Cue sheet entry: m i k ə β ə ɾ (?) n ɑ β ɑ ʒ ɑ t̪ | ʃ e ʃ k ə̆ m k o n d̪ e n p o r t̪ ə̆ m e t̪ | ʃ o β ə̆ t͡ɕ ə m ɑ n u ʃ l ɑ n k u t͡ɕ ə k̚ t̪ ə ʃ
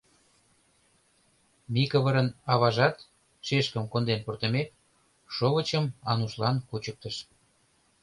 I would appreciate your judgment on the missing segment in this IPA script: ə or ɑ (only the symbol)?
ə